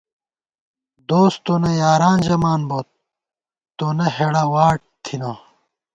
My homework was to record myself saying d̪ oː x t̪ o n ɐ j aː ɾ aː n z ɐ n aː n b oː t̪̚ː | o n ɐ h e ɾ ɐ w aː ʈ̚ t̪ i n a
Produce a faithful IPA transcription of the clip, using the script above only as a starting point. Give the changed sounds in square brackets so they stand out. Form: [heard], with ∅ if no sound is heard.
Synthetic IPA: d̪ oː [s] t̪ o n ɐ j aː ɾ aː n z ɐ [m] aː n b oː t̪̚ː | o n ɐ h e [ɽ] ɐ w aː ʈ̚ [t̪ʰ] i n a